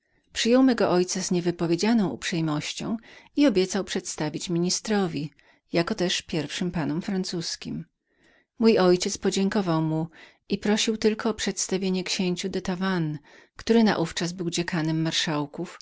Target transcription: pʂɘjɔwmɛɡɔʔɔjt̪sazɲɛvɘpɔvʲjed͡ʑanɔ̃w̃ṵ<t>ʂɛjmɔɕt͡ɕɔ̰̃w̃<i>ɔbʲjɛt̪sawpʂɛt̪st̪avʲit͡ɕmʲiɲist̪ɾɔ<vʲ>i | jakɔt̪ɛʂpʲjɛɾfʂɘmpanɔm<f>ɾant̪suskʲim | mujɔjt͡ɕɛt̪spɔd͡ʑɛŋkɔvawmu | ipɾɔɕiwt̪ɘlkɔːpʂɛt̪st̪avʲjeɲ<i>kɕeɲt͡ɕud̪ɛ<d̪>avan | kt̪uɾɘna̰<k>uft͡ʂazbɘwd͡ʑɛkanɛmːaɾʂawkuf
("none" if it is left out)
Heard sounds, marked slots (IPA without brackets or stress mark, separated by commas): p, i, vʲ, f, ɛ, t̪, ʔ